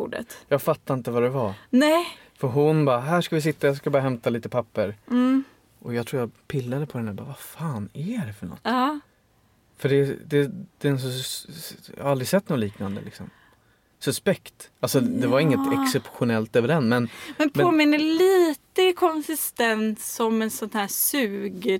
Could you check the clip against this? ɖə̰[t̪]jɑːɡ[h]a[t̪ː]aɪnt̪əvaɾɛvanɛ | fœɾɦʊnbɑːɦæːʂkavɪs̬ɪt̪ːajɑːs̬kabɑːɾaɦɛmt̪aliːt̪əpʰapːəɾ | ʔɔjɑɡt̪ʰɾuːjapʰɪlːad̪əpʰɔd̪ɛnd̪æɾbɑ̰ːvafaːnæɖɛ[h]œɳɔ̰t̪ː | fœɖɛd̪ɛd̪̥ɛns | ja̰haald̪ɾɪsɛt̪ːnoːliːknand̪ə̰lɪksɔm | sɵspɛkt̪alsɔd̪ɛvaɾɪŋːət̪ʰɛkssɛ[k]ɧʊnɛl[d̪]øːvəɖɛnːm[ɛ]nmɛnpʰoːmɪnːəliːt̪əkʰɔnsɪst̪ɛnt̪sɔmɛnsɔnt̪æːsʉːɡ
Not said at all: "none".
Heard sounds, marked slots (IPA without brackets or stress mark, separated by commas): t̪, f, t̪ː, f, p, t̪, ɛ